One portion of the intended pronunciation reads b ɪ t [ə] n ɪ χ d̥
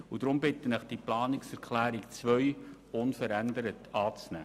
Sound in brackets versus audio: correct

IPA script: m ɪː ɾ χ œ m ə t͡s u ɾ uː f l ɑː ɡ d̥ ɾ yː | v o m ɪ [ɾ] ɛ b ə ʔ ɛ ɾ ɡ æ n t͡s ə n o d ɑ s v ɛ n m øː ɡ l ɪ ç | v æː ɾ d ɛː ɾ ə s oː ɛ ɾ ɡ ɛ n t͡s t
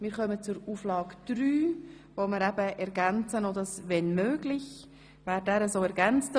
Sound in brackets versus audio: correct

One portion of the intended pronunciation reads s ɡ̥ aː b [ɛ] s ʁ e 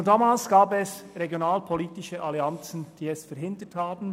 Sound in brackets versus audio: correct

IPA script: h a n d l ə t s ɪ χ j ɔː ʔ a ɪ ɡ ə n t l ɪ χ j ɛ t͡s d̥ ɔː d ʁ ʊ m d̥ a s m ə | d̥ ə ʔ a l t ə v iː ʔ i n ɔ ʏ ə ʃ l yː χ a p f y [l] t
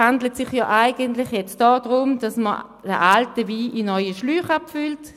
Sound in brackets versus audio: correct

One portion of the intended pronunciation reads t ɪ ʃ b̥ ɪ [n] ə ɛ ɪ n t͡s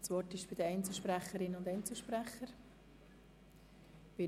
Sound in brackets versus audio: incorrect: d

